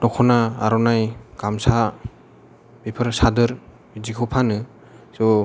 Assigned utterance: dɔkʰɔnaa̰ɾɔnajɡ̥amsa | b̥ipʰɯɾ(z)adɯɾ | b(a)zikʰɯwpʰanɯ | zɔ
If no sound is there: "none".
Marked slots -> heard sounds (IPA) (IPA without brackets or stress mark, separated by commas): s, i